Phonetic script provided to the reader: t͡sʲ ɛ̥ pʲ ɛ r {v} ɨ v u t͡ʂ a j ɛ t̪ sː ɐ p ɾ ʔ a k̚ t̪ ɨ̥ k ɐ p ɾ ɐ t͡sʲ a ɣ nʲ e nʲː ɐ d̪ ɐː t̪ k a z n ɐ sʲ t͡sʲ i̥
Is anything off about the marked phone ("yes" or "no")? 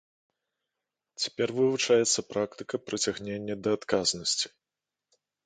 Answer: no